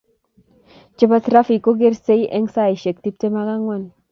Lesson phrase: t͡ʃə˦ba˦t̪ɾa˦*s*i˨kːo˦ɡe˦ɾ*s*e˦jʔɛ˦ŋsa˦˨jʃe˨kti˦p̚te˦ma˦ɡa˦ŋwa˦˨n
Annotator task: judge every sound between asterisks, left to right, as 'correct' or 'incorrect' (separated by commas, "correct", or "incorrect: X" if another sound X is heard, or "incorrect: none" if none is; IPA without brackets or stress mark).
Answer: incorrect: f, correct